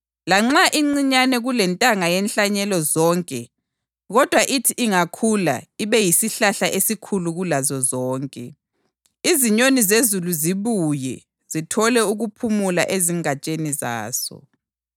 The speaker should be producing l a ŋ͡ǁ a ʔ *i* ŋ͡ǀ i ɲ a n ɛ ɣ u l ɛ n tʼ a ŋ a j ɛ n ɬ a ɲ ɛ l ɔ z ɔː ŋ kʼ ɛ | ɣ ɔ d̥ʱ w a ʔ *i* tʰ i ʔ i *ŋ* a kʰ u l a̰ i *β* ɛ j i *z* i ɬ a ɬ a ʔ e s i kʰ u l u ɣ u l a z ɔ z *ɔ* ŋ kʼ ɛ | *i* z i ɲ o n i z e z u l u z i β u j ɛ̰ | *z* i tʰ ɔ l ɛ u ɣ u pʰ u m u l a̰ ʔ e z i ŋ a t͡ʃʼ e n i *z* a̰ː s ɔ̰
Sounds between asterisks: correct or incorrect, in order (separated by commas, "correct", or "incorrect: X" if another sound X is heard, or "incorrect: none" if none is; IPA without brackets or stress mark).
correct, correct, correct, correct, incorrect: s, incorrect: ɔː, correct, correct, correct